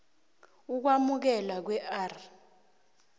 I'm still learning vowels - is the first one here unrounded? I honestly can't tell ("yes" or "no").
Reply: no